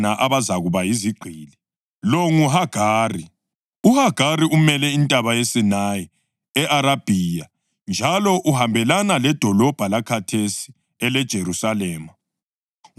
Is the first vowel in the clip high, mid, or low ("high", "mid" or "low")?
low